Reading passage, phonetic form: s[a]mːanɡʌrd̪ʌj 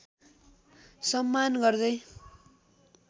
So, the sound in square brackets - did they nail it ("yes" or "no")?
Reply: no